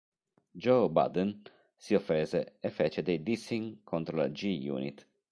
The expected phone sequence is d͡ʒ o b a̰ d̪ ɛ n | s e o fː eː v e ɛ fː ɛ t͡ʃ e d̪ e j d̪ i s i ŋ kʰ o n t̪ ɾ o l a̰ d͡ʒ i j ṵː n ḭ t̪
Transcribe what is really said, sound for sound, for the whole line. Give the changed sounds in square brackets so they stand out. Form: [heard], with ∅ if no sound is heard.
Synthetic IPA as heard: d͡ʒ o b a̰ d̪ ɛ n | s [i] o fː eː [z] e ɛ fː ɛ t͡ʃ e d̪ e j d̪ i s i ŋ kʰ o n t̪ ɾ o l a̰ d͡ʒ i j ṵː n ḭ t̪

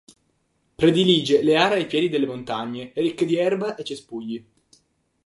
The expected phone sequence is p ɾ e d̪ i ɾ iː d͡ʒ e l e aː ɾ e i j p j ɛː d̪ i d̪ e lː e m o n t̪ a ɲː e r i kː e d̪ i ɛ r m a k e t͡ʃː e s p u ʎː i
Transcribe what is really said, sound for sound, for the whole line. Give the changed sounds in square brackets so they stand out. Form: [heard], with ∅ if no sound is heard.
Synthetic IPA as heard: p ɾ e d̪ i [l] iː d͡ʒ e l e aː ɾ e [a] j p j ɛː d̪ i d̪ e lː e m o n t̪ a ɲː e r i kː e d̪ i ɛ r [b] a [ʔ] e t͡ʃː e s p u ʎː i

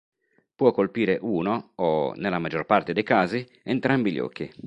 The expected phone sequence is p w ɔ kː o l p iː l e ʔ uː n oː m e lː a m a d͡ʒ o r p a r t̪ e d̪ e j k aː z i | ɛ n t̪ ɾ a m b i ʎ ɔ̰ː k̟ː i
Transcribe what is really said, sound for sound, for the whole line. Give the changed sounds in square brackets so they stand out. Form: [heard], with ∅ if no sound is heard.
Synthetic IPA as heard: p w ɔ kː o l p iː [ɾ] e ʔ uː n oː [n] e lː a m a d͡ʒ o r p a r t̪ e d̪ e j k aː z i | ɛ n t̪ ɾ a m b i ʎ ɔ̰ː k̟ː i

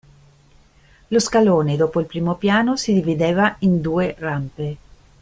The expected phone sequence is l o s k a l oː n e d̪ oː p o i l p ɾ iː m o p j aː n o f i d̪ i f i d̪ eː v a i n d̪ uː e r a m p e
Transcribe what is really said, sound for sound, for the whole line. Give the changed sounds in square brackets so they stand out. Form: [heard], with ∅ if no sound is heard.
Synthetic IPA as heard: l o s k a l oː n e d̪ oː p o i l p ɾ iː m o p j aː n o [s] i d̪ i [v] i d̪ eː v a i n d̪ uː e r a m p e

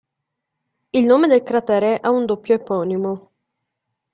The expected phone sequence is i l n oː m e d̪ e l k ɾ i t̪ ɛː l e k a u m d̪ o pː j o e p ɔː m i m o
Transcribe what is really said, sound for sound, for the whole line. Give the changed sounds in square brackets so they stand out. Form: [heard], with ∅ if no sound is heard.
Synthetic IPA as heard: i l n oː m e d̪ e l k ɾ [a] t̪ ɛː [ɾ] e [ʔ] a u [n] d̪ o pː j o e p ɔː [n] i m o

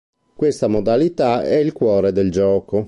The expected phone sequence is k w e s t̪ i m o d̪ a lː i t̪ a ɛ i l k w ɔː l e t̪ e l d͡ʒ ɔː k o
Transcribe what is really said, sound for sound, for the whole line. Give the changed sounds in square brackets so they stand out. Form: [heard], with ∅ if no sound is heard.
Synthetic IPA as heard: k w e s t̪ [a] m o d̪ a [l] i t̪ a ɛ i l k w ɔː [ɾ] e [d̪] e l d͡ʒ ɔː k o

